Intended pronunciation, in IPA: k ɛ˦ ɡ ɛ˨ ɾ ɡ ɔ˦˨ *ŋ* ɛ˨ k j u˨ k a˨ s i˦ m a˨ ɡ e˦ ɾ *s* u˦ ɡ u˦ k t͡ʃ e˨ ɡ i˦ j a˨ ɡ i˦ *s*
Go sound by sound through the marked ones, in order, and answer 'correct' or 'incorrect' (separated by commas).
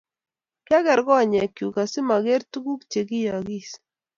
incorrect, incorrect, correct